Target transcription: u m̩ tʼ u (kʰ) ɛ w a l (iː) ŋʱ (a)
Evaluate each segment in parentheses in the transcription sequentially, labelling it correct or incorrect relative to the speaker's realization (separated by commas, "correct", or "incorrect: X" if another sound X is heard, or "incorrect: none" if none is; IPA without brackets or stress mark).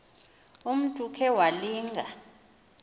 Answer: correct, correct, correct